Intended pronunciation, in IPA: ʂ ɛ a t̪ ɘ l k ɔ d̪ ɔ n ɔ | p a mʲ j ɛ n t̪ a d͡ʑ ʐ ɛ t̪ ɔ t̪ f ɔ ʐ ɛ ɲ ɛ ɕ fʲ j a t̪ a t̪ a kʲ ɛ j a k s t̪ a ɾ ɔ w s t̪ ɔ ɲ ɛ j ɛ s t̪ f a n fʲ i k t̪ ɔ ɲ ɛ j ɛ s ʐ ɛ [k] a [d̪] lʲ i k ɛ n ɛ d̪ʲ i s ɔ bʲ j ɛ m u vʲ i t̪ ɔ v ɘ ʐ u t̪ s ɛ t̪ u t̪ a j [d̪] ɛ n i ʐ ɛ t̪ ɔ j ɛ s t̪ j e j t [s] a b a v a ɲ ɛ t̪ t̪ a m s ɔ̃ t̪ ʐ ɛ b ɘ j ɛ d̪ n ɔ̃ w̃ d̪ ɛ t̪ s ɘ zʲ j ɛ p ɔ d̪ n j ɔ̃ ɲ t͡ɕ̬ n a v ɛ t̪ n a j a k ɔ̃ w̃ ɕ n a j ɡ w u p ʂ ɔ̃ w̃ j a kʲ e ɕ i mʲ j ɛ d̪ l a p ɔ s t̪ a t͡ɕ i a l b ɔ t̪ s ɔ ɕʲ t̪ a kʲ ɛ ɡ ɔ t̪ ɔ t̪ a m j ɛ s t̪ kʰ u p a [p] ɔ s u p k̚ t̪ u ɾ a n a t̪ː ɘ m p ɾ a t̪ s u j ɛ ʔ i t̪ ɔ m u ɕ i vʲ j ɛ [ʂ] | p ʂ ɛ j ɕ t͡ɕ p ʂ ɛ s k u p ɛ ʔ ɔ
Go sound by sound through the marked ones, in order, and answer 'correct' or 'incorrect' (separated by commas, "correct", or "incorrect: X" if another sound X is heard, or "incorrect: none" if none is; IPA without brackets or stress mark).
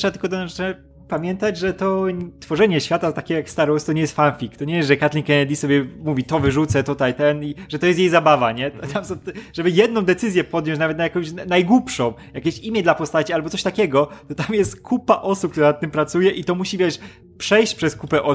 correct, incorrect: t̪, incorrect: t̪, incorrect: z, incorrect: ʔ, correct